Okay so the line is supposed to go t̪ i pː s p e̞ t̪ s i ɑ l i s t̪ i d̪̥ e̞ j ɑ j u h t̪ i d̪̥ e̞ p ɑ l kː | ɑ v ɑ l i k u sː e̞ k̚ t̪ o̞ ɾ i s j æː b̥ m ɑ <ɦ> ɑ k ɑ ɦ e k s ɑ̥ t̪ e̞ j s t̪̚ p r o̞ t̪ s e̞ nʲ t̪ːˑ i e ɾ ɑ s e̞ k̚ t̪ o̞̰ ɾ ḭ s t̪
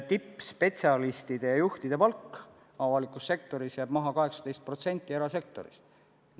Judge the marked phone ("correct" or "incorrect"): correct